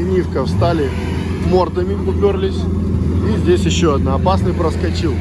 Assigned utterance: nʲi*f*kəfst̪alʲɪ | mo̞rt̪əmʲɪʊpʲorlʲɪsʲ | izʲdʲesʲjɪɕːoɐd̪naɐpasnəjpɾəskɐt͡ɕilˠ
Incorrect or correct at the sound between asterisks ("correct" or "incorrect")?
correct